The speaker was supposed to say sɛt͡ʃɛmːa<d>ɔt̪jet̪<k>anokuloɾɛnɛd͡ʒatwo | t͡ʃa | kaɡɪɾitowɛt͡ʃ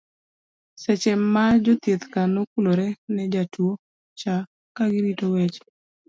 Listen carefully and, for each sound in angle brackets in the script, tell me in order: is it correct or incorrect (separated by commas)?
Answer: incorrect, correct